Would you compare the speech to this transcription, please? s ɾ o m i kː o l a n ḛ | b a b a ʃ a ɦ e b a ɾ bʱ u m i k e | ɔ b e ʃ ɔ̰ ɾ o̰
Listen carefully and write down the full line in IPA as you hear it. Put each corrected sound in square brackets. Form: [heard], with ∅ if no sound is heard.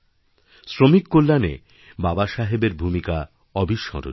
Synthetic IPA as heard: s ɾ o m i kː o [lː] a n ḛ | b a b a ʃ a ɦ e b [e] ɾ bʱ u m i k [a] | ɔ b [i] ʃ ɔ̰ ɾ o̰